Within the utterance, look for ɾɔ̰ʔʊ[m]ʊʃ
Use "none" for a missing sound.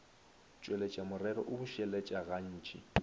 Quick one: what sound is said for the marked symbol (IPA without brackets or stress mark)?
b